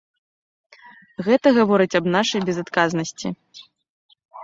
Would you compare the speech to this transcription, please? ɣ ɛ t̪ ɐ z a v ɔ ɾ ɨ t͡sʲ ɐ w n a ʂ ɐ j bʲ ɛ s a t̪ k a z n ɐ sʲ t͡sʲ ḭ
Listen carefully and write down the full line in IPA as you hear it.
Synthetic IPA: ɣ ɛ t̪ ɐ ɣ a v ɔ ɾ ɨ t͡sʲ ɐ b n a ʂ ɐ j bʲ ɛ z a t̪ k a z n ɐ sʲ t͡sʲ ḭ